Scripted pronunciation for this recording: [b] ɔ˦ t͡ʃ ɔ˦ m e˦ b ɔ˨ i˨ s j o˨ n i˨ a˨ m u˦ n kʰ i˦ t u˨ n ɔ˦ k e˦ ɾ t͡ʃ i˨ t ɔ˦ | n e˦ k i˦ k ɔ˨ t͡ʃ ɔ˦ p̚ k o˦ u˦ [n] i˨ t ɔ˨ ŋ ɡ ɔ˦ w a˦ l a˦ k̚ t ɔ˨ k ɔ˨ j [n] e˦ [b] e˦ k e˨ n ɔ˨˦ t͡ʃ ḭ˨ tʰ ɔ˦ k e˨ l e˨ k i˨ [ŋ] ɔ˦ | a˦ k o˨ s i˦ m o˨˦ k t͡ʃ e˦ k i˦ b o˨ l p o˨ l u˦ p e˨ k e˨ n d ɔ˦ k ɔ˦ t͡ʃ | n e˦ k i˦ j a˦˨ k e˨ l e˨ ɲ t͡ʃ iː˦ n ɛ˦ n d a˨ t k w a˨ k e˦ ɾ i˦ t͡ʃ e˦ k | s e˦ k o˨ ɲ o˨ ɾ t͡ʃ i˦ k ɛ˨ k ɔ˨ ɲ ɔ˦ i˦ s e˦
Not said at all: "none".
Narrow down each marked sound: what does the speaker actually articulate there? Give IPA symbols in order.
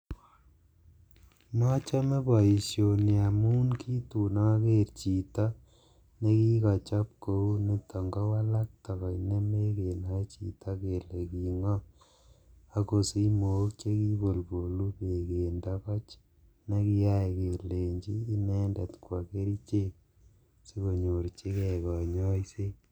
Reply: m, n, n, m, ŋ

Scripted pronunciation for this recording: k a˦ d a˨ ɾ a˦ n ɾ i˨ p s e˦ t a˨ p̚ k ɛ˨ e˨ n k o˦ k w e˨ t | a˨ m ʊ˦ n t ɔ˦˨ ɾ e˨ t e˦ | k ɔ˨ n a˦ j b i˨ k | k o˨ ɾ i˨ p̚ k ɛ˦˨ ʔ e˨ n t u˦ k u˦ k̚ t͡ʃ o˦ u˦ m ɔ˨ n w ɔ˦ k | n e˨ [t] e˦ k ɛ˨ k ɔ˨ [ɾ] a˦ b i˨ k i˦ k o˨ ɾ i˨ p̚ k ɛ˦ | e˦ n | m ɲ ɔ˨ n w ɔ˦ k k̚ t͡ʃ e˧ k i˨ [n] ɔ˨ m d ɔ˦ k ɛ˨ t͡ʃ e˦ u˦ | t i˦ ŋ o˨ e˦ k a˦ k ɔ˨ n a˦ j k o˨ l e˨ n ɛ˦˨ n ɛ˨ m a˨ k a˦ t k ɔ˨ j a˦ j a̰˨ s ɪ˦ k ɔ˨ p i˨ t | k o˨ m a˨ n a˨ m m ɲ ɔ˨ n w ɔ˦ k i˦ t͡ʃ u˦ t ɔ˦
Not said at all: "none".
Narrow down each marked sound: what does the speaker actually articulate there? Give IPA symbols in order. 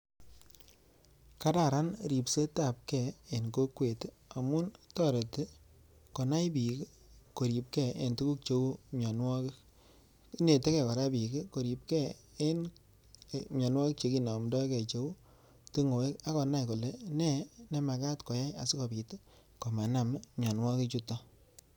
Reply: t, ɾ, n

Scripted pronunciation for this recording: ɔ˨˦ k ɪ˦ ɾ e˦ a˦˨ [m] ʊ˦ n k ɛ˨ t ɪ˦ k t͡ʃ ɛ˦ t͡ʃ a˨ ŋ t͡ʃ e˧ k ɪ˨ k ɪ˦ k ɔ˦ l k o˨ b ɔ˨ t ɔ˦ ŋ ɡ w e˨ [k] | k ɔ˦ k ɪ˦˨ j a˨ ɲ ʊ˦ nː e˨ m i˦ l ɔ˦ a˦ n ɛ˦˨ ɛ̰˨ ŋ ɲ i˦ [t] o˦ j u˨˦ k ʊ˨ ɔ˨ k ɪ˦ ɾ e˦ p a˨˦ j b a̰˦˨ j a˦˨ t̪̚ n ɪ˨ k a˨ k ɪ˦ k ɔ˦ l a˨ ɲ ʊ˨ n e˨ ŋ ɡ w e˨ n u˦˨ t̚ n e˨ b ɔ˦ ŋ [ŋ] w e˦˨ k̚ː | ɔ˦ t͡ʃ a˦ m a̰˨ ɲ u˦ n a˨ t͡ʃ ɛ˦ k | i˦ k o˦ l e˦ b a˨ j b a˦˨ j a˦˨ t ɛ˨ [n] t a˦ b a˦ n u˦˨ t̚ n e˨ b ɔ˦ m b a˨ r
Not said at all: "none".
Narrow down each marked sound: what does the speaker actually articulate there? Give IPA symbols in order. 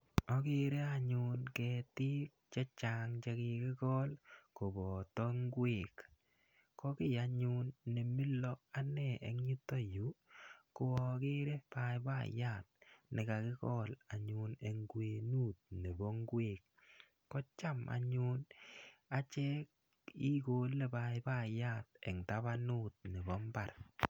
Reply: ɲ, k, t, ɡ, ŋ

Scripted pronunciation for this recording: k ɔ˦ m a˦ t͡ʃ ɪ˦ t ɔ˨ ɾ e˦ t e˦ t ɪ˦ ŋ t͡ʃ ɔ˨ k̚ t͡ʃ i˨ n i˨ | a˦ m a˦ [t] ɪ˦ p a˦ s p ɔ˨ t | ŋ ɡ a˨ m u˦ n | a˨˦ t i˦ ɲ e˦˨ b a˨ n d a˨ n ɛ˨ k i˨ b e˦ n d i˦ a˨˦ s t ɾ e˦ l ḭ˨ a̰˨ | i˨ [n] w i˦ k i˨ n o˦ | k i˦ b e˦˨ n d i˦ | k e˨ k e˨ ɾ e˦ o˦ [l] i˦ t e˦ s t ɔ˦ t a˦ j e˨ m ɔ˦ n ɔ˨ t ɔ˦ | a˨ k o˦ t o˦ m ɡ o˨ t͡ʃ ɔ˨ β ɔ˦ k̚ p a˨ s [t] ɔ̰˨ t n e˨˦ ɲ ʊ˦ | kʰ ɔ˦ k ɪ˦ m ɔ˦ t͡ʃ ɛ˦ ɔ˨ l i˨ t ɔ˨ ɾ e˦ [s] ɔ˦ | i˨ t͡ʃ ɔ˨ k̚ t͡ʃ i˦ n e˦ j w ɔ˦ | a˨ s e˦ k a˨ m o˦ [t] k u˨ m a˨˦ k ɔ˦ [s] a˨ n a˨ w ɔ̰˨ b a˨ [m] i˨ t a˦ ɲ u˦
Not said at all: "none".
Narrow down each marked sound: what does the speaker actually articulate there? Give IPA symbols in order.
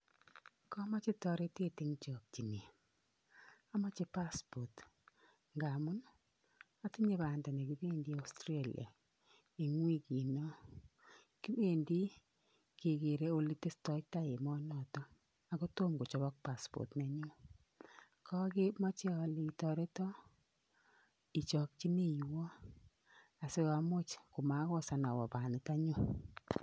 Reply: t͡ʃ, ŋ, l, p, t, t͡ʃ, s, n

